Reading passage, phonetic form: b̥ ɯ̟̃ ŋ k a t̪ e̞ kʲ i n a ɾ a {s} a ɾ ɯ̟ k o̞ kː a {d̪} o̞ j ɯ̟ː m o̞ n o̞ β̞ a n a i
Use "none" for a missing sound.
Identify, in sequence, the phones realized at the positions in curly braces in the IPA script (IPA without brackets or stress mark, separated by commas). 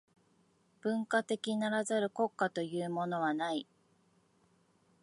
z, t̪